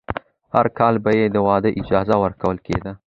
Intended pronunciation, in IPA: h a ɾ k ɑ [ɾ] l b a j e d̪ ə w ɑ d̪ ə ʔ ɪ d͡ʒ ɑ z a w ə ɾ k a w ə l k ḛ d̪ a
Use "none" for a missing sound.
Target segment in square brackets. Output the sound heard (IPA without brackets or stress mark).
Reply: none